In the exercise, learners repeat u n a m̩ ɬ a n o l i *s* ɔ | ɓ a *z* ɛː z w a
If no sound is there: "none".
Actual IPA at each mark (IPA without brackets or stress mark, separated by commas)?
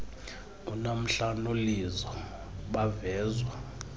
z, v